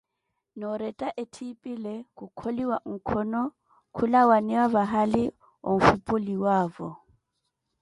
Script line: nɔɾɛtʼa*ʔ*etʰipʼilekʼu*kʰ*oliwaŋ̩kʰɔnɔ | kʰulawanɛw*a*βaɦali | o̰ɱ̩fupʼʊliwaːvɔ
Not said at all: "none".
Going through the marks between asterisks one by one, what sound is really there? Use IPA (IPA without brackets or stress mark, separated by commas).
ʔ, kʰ, a